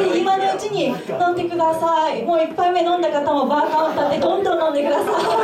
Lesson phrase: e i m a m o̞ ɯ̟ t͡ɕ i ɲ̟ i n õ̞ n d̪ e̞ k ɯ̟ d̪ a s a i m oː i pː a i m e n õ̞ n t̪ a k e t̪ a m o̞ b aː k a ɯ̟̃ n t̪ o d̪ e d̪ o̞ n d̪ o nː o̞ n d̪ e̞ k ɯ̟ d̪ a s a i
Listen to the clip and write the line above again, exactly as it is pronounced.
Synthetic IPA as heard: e i m a n o̞ ɯ̟ t͡ɕ i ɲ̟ i n õ̞ n d̪ e̞ k ɯ̟ d̪ a s a i m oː i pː a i m e n õ̞ n d̪ a k a t̪ a m o̞ b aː k a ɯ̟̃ n t̪ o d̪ e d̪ õ̞ n d̪ õ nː õ̞ n d̪ e̞ k ɯ̟ d̪ a s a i

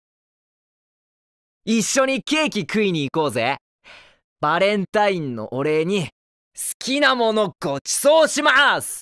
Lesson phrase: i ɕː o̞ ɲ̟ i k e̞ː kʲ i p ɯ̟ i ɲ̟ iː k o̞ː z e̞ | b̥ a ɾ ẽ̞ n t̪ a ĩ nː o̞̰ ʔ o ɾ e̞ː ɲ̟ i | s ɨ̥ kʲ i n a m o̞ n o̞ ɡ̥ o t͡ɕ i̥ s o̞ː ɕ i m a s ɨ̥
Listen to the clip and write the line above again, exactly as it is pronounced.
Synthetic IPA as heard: i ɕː o̞ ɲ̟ i k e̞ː kʲ i k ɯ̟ i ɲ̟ iː k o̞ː z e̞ | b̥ a ɾ ẽ̞ n t̪ a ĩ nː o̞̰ ʔ o ɾ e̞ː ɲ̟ i | s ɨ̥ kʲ i n a m o̞ n o̞ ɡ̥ o t͡ɕ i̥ s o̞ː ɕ i m a s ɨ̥

